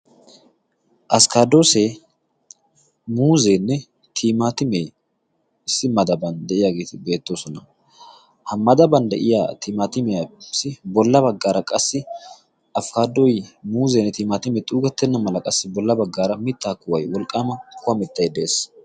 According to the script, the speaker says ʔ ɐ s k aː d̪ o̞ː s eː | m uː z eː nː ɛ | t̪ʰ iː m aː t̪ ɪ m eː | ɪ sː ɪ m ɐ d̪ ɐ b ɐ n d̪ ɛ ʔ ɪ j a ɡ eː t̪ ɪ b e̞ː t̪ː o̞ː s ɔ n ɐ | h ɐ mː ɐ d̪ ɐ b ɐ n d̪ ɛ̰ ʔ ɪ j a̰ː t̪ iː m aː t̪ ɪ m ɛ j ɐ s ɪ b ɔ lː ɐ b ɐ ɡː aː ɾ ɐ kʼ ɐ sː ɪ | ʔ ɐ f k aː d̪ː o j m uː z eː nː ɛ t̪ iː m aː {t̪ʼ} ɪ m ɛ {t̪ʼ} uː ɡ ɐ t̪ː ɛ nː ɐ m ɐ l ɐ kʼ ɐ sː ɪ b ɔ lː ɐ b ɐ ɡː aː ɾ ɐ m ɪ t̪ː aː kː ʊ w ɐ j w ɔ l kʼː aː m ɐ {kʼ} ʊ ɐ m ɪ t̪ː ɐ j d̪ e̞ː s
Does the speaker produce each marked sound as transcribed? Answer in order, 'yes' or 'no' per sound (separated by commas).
no, yes, no